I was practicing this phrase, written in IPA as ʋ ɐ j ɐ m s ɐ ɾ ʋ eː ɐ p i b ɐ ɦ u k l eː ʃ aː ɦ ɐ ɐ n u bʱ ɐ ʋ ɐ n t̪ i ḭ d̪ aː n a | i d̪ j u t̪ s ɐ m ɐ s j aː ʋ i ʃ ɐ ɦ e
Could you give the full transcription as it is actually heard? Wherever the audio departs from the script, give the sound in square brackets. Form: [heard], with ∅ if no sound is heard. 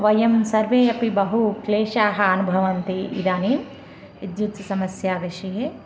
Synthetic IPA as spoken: ʋ ɐ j ɐ m s ɐ ɾ ʋ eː ɐ p i b ɐ ɦ u k l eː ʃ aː ɦ ɐ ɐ n u bʱ ɐ ʋ ɐ n t̪ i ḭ d̪ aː n [i] | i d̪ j u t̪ s ɐ m ɐ s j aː ʋ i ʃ ɐ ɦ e